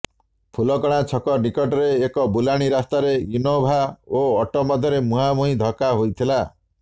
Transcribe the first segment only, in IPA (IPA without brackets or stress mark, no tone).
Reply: pʰ